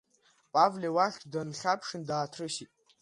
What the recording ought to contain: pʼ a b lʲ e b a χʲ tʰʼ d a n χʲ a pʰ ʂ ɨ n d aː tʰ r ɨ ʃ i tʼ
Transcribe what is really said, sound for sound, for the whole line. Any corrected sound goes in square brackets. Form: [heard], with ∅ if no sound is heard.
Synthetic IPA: pʼ a [v] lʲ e [w] a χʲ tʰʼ d a n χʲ a pʰ ʂ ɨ n d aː tʰ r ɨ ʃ i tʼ